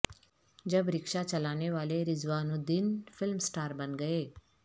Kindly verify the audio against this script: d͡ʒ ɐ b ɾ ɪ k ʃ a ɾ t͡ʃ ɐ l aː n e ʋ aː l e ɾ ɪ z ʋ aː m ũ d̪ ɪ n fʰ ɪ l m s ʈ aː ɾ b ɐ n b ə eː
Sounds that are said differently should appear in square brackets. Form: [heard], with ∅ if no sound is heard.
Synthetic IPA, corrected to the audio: d͡ʒ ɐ b ɾ ɪ k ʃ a [∅] t͡ʃ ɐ l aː n e ʋ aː l e ɾ ɪ z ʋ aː [n] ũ d̪ ɪ n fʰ ɪ l m s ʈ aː ɾ b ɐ n [ɡ] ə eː